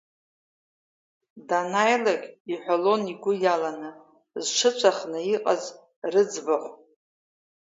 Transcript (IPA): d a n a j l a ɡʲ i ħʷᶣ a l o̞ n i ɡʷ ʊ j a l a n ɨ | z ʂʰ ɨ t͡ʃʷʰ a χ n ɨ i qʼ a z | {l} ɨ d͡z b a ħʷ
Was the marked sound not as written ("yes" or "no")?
yes